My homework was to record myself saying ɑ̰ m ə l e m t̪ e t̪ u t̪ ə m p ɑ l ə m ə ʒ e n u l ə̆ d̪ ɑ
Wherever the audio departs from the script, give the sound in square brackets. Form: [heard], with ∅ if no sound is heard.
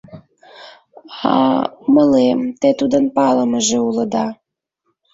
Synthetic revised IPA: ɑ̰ m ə l e m t̪ e t̪ u [d̪] ə [n] p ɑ l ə m ə ʒ e [∅] u l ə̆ d̪ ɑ